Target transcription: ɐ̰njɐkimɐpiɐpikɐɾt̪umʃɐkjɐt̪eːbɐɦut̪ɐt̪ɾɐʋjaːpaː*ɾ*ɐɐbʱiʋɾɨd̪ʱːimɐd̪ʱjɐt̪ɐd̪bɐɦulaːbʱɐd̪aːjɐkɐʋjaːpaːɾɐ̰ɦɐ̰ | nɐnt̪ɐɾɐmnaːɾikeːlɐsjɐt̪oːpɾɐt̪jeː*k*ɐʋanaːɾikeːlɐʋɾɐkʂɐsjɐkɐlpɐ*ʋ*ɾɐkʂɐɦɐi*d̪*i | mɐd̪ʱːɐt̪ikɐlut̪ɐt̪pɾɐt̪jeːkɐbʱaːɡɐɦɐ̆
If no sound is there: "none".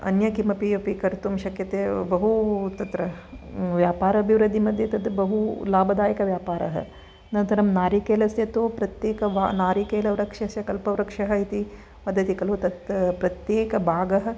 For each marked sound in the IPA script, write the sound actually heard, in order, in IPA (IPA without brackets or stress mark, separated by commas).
ɾ, k, ʋ, t̪